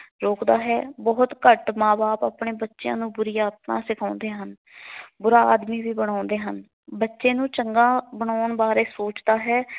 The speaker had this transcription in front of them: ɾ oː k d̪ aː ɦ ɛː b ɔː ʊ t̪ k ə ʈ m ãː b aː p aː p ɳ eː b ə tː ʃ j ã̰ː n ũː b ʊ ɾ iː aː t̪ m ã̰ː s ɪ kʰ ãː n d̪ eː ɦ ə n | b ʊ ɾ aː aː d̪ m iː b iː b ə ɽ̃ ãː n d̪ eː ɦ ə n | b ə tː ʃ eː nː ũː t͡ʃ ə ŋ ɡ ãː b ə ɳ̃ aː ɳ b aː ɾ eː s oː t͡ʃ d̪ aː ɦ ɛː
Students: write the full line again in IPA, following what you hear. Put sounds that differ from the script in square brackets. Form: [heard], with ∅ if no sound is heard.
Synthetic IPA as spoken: ɾ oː k d̪ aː ɦ ɛː b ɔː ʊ t̪ k ə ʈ m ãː b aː p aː p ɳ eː b ə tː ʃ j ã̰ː n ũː b ʊ ɾ iː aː t̪ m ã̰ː s ɪ kʰ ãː n d̪ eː ɦ ə n | b ʊ ɾ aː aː d̪ m iː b iː b ə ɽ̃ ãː n d̪ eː ɦ ə n | b ə tː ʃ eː [n] ũː t͡ʃ ə ŋ ɡ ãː b ə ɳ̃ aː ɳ b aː ɾ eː s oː t͡ʃ d̪ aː ɦ ɛː